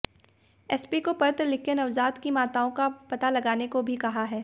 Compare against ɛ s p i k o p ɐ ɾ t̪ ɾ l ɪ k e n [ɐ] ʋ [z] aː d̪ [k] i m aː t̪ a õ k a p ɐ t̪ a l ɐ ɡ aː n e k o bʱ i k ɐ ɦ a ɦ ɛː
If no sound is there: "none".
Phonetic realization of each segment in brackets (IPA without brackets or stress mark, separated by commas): ɐ, z, k